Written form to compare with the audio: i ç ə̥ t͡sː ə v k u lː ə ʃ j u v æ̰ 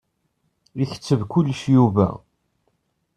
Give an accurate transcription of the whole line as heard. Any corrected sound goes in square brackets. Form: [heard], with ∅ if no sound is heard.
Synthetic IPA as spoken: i ç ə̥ t͡sː ə v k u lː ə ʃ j u v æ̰